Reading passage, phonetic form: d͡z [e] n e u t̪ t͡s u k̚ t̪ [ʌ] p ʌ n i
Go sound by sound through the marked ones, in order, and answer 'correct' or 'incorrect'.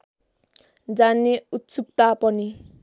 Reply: incorrect, incorrect

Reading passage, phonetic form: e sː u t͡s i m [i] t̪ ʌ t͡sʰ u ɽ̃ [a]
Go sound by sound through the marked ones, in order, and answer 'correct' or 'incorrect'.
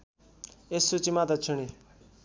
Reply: incorrect, incorrect

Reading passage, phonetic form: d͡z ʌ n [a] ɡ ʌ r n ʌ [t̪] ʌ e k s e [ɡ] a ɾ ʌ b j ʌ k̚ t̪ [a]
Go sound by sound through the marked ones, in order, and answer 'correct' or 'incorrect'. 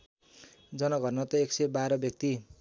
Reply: incorrect, correct, incorrect, incorrect

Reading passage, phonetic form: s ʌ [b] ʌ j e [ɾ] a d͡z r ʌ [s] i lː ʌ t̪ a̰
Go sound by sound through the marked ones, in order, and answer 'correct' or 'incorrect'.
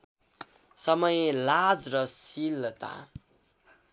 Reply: incorrect, incorrect, correct

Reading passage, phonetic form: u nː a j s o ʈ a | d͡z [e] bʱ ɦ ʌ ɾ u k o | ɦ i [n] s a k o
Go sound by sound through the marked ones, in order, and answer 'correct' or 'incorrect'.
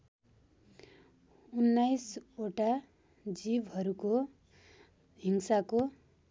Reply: incorrect, incorrect

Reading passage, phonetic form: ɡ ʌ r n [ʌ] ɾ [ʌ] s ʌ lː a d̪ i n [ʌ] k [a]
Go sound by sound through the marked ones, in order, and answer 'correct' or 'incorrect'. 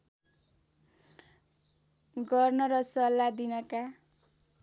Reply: correct, correct, correct, correct

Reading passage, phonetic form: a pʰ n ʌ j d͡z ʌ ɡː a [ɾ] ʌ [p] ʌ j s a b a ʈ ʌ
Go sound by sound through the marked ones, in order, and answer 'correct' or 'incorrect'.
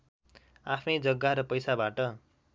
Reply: correct, correct

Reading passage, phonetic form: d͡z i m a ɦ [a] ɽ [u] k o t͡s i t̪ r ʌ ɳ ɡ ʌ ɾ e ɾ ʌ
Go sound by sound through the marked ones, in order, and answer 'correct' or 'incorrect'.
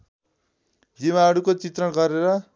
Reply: incorrect, correct

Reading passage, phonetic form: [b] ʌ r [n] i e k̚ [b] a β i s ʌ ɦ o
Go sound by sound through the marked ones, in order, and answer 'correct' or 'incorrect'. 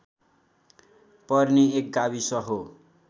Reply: incorrect, correct, incorrect

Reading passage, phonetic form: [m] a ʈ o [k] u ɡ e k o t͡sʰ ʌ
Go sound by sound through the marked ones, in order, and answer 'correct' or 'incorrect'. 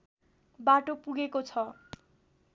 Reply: incorrect, incorrect

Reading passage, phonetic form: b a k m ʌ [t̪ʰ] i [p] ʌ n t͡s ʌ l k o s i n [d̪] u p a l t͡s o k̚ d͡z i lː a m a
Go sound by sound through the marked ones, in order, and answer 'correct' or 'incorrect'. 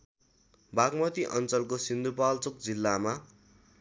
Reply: incorrect, incorrect, correct

